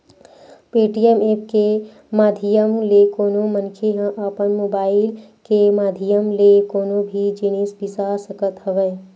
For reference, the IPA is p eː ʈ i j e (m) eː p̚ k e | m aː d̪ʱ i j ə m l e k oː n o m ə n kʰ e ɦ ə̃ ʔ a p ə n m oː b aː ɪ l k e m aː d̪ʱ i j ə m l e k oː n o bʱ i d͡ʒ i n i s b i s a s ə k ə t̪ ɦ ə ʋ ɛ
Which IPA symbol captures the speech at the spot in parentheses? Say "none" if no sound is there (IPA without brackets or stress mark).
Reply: m